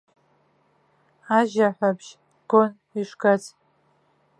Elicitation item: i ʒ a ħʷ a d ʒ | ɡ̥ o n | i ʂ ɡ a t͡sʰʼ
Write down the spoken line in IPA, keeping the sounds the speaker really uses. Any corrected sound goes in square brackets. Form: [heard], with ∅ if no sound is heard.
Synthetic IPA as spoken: [a] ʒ a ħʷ a [b] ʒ | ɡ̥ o n | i ʂ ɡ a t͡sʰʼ